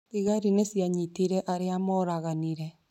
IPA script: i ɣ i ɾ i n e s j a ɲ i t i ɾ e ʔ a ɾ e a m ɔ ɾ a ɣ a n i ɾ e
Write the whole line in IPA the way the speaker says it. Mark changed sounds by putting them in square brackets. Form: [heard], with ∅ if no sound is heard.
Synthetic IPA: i ɣ [a] ɾ i n e s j a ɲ i t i ɾ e ʔ a ɾ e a m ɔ ɾ a ɣ a n i ɾ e